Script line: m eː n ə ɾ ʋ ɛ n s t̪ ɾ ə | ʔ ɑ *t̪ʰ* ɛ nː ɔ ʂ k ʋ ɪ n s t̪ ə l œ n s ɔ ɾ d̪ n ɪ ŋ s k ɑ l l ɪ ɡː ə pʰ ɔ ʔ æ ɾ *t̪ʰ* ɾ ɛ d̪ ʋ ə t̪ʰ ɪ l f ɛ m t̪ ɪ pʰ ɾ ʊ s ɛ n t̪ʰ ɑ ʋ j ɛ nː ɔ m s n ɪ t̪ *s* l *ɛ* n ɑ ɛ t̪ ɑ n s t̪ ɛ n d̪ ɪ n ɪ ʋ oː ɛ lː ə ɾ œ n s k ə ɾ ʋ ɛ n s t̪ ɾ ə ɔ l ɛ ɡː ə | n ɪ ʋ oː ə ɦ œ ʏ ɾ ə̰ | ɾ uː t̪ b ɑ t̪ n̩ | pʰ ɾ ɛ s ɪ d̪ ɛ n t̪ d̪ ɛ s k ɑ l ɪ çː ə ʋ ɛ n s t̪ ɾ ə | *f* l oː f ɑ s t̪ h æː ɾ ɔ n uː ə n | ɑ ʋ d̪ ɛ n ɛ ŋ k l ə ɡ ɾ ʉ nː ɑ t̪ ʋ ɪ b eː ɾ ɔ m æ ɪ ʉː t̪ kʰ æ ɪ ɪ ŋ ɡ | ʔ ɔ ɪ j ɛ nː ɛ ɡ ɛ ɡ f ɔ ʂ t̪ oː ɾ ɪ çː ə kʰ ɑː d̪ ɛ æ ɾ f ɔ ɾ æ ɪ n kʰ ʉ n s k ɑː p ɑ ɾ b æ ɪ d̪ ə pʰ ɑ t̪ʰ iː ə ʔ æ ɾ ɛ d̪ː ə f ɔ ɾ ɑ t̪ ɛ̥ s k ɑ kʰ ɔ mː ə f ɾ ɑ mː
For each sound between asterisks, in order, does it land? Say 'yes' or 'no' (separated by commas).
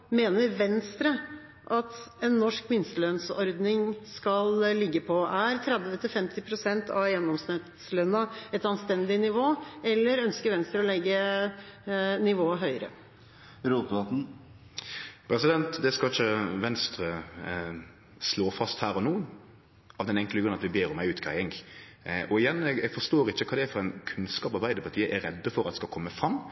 no, yes, yes, no, no